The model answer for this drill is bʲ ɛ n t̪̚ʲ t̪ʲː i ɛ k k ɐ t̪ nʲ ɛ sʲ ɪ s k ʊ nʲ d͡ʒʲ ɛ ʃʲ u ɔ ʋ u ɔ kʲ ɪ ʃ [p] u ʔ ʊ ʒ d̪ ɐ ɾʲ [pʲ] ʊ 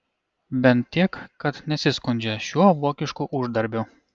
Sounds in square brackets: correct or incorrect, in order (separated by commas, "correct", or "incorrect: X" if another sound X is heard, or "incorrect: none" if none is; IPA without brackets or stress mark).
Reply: incorrect: k, incorrect: bʲ